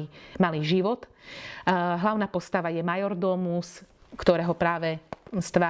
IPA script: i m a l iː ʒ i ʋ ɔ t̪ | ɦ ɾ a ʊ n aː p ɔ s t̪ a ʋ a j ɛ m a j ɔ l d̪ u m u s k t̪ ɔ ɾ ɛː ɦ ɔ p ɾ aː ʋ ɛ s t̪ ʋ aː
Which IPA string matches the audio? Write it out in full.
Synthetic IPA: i m a l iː ʒ i ʋ ɔ t̪ | ɦ l a ʊ n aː p ɔ s t̪ a ʋ a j ɛ m a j ɔ ɾ d̪ ɔ m u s k t̪ ɔ ɾ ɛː ɦ ɔ p ɾ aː ʋ ɛ s t̪ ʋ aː